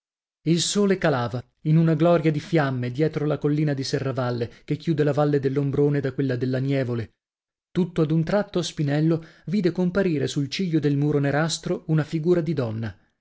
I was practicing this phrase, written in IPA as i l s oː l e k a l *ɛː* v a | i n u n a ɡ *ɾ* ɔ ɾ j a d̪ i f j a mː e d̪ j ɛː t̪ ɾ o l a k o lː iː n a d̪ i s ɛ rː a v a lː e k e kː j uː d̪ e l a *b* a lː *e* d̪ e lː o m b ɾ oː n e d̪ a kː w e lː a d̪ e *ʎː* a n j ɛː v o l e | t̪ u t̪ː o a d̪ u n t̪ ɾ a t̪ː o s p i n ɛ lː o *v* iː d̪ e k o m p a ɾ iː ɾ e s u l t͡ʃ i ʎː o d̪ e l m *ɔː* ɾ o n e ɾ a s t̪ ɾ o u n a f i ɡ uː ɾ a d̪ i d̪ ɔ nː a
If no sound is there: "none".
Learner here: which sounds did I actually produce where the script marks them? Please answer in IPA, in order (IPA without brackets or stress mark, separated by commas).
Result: aː, l, v, e, lː, v, uː